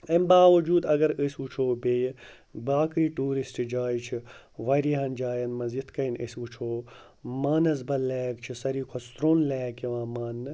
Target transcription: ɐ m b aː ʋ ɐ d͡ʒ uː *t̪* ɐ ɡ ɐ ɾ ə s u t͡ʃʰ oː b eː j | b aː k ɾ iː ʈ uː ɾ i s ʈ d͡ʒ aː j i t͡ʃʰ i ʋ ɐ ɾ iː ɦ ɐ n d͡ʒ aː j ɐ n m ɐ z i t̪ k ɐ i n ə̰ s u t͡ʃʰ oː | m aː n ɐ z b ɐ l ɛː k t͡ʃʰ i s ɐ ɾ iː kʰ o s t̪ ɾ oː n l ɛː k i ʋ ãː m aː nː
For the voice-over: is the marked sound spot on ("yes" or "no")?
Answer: no